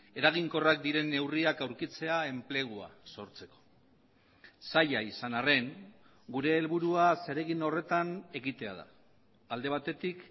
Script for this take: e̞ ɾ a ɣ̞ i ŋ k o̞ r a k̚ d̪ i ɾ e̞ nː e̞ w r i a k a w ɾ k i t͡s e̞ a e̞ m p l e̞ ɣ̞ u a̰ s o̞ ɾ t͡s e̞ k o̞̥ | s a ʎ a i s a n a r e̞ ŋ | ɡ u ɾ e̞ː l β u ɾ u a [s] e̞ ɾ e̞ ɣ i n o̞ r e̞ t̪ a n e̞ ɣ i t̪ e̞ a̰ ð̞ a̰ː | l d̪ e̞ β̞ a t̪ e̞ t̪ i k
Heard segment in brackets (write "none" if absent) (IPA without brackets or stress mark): s